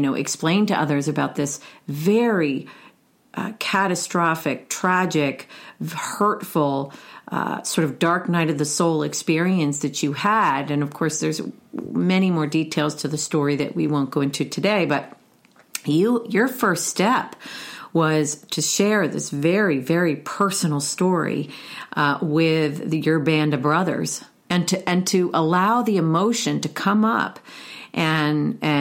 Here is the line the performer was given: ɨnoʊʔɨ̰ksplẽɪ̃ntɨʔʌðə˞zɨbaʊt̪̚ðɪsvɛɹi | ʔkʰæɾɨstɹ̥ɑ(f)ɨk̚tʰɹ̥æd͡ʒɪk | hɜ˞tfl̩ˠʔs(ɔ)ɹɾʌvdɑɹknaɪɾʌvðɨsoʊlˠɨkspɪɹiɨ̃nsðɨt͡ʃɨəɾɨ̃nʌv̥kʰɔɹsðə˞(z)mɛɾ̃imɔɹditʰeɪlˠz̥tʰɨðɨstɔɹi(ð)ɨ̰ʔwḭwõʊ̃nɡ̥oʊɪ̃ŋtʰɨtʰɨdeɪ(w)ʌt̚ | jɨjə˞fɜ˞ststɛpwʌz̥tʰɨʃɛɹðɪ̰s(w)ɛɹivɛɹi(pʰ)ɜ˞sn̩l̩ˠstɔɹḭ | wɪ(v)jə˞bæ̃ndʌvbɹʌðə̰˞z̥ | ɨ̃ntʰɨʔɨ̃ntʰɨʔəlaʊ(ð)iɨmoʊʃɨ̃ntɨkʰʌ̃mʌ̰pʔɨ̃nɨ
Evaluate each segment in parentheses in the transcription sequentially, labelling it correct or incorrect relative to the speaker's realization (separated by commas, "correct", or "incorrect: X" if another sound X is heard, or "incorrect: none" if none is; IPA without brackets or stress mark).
correct, correct, correct, correct, incorrect: b, incorrect: v, correct, incorrect: ð, correct